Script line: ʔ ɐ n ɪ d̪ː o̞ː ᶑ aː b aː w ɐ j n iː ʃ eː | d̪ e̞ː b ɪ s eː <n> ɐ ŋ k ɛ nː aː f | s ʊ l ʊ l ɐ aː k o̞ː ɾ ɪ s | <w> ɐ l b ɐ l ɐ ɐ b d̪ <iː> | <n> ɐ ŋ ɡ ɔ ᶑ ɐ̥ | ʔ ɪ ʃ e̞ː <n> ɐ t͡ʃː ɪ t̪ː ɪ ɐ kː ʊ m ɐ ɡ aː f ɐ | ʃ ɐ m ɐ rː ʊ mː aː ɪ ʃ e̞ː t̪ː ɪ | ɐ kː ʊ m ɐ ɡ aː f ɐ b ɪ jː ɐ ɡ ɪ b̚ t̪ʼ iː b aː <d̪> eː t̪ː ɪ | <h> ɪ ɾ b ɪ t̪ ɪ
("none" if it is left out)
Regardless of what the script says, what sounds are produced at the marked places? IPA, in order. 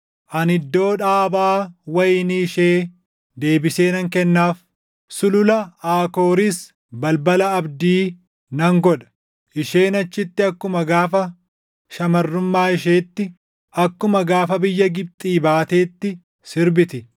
n, b, iː, n, n, t̪, s

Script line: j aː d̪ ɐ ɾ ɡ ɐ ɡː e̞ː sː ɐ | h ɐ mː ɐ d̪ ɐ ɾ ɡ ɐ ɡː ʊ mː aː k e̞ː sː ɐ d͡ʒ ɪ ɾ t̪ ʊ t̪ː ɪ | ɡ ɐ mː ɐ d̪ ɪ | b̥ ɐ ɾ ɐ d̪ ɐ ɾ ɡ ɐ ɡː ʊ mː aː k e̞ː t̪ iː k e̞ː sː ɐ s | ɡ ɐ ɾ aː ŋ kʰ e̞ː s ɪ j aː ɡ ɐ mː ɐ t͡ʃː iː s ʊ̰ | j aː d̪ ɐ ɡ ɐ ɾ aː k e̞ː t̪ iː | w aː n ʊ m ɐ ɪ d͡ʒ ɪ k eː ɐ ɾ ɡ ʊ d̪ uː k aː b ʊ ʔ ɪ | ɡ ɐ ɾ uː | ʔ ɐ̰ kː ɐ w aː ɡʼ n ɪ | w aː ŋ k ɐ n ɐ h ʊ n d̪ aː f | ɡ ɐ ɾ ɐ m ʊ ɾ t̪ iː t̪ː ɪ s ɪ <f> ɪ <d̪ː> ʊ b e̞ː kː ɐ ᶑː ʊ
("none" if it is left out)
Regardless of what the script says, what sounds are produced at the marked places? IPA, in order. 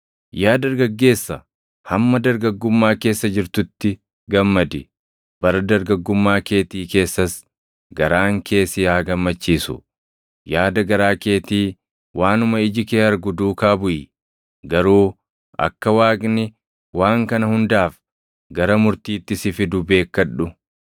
f, d̪

